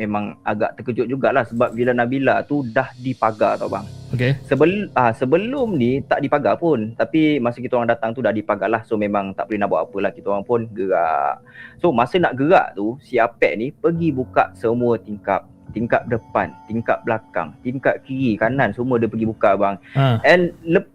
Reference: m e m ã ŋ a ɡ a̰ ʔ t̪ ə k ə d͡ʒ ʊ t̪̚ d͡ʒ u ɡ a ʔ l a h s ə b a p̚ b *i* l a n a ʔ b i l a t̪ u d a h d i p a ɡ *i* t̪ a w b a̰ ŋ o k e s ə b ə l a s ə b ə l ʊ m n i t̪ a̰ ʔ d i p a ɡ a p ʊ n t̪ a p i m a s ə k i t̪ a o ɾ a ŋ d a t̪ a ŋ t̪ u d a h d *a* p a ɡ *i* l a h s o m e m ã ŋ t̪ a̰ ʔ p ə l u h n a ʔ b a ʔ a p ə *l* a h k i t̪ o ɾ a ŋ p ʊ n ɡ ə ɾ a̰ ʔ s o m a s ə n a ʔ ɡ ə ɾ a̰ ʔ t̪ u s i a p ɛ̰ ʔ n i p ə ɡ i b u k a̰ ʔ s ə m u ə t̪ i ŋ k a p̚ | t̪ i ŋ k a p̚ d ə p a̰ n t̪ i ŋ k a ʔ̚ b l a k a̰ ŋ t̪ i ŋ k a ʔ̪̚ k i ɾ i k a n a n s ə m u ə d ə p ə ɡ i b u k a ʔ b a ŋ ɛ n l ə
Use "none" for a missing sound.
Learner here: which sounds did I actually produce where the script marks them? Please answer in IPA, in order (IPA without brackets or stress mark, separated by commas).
i, a, i, a, l